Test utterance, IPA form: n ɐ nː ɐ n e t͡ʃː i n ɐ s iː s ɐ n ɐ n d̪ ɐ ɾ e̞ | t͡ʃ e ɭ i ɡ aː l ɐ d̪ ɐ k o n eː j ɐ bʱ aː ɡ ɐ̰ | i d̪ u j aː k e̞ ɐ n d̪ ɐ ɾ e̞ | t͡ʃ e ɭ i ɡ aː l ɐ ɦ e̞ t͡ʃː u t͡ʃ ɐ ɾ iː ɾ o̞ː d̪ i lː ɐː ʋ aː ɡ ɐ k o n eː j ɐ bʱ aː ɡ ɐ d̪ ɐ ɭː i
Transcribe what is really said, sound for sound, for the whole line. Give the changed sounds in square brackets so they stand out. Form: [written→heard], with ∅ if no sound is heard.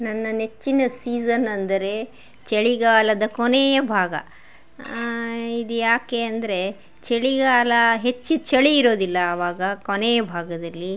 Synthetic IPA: n ɐ nː ɐ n e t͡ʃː i n ɐ s iː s ɐ n ɐ n d̪ ɐ ɾ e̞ | t͡ʃ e ɭ i ɡ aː l ɐ d̪ ɐ k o n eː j ɐ bʱ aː ɡ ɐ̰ | i d̪ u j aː k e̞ ɐ n d̪ ɐ ɾ e̞ | t͡ʃ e ɭ i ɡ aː l ɐ ɦ e̞ t͡ʃː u t͡ʃ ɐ [ɾ→ɭ] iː ɾ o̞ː d̪ i lː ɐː ʋ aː ɡ ɐ k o n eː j ɐ bʱ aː ɡ ɐ d̪ ɐ [ɭː→lː] i